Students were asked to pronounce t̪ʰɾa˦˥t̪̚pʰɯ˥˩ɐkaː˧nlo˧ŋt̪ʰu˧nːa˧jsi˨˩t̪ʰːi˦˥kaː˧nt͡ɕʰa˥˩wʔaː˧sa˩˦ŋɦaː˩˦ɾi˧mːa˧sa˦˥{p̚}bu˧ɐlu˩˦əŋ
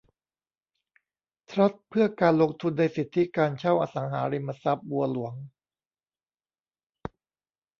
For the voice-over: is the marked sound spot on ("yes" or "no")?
yes